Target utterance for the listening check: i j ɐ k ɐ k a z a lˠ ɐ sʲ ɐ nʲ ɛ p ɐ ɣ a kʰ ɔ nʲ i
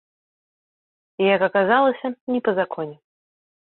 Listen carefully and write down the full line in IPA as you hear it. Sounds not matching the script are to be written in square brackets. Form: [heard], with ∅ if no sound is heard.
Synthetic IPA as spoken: i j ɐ k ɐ k a z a lˠ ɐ sʲ ɐ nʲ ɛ p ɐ [z] a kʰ ɔ nʲ [ɛ]